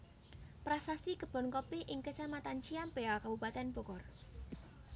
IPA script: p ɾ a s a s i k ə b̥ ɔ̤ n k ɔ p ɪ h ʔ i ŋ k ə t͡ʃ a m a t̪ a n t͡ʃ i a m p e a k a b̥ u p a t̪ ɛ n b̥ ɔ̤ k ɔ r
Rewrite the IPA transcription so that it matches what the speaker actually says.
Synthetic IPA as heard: p ɾ a s a s i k ə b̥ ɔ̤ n k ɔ p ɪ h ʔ ɪ ŋ k ə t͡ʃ a m a t̪ a n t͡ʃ i a m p e a k a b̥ u p a t̪ ɛ n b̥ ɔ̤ k ɔ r

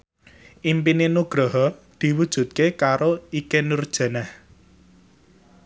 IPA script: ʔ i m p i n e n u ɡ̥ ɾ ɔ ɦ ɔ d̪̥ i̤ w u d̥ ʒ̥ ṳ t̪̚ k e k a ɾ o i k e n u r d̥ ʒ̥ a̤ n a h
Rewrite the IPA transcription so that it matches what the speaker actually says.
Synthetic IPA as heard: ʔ i m p i n e n u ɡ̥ ɾ ɔ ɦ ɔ d̪̥ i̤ w u d̥ ʒ̥ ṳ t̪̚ k e k a ɾ o i k e n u r d̥ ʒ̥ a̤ n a h

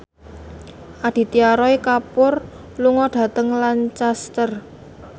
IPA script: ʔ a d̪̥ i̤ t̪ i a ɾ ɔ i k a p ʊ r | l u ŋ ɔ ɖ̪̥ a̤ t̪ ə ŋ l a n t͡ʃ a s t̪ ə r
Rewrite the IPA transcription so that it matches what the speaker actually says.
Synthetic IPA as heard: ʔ a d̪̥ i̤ t̪ i a ɾ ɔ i k a p ʊ r | l u ŋ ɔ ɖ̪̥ a̤ t̪ ə ŋ l a n t͡ʃ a s t̪ ə r

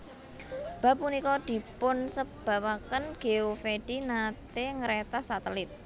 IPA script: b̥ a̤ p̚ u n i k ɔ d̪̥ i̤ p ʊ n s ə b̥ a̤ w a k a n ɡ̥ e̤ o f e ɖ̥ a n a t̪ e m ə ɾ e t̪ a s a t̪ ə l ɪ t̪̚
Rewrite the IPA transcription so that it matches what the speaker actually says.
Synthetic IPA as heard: b̥ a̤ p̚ u n i k ɔ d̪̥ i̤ p ʊ n s ə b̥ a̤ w a k ə n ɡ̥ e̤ o f e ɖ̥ i n a t̪ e ŋ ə ɾ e t̪ a s a t̪ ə l ɪ t̪̚

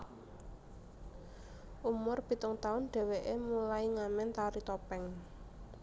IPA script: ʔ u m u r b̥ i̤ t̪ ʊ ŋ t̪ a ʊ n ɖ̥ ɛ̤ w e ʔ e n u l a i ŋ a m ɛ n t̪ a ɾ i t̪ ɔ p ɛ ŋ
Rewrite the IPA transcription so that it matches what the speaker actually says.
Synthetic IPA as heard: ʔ u m ʊ r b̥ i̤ t̪ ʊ ŋ t̪ a ʊ n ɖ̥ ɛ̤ w e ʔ e m u l a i ŋ a m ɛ n t̪ a ɾ i t̪ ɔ p ɛ ŋ

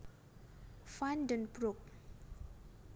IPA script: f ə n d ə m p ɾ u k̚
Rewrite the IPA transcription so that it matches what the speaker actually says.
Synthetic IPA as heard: f a n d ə n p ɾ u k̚

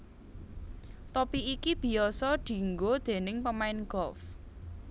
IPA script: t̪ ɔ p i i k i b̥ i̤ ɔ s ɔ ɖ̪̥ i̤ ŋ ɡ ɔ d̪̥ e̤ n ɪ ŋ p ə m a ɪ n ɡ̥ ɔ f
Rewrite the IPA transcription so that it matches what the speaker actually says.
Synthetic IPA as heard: t̪ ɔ p i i k i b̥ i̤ ɔ s ɔ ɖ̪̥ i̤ ŋ ɡ o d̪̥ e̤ n ɪ ŋ p ə m a ɪ n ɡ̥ ɔ f

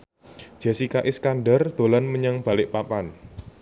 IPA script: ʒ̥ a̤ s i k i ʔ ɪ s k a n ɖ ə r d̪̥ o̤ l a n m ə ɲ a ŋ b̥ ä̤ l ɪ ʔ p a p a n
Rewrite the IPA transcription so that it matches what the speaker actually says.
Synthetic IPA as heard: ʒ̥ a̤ s i k a ʔ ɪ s k a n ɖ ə r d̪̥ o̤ l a n m ə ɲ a ŋ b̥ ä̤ l ɪ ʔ p a p a n

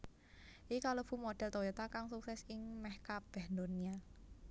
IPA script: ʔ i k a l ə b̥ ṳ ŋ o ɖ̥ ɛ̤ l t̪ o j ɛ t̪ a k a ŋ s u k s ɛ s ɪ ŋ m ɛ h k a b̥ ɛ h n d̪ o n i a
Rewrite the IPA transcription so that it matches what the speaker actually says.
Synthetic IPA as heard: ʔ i k a l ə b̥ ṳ m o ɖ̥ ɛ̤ l t̪ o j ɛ t̪ a k a ŋ s u k s ɛ s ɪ ŋ m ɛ h k a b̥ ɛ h n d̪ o n i a

